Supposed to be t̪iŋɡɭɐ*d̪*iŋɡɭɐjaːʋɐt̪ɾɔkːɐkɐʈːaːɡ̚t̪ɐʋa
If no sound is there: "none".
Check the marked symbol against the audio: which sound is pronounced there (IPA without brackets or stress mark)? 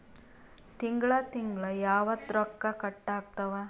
t̪